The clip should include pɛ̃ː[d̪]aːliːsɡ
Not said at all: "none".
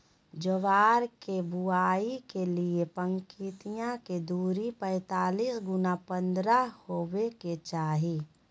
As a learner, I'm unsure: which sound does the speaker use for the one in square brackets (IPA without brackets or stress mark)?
t̪